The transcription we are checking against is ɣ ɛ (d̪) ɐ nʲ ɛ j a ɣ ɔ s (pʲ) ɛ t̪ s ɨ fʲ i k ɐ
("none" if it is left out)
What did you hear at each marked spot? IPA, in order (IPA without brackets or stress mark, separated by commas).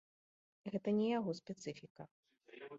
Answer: t̪, pʲ